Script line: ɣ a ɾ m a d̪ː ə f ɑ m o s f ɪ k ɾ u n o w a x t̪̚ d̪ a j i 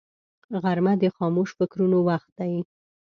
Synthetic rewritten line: ɣ a ɾ m a d̪ ə x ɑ m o ʃ f ɪ k ɾ u n o w a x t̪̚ d̪ a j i